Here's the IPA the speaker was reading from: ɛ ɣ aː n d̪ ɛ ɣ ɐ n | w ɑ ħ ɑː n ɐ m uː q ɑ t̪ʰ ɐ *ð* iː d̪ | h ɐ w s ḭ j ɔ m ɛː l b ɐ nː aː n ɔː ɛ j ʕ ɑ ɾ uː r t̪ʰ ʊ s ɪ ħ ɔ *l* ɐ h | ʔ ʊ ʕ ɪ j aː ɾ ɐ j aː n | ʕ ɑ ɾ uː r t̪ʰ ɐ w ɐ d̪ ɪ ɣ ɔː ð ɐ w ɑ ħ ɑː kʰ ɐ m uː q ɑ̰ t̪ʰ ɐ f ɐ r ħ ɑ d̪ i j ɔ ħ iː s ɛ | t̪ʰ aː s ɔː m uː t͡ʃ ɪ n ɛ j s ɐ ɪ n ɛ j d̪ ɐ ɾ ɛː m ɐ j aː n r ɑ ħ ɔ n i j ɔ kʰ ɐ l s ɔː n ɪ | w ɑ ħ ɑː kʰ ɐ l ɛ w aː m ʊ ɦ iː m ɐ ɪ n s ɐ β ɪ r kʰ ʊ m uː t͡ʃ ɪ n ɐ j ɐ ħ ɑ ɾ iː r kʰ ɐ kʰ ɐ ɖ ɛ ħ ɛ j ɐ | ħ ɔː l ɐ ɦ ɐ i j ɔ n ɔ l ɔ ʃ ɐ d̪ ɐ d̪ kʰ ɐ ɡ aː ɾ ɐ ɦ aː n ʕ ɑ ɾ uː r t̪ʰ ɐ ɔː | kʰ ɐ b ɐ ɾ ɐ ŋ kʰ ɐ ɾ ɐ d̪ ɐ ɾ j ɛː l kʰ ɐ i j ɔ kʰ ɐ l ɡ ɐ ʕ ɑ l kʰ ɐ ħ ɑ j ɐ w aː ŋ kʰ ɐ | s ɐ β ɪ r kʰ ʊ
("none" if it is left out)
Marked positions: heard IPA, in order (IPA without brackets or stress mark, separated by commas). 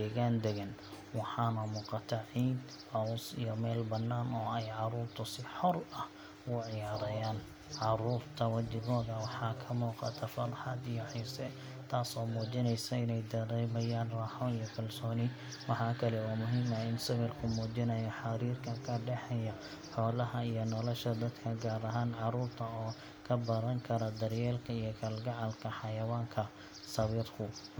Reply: ʕ, r